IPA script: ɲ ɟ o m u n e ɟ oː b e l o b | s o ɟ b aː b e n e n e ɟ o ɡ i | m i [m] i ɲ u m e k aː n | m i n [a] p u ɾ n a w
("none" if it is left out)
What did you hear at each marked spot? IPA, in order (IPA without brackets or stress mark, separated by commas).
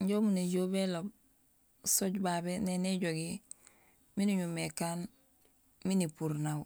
n, i